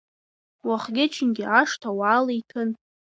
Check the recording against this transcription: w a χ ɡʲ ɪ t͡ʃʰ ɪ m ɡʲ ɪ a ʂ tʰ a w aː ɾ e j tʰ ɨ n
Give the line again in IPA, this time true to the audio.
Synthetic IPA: w a χ ɡʲ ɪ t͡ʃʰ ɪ n ɡʲ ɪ a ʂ tʰ a w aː l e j tʰ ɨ n